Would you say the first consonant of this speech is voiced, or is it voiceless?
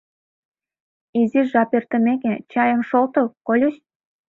voiced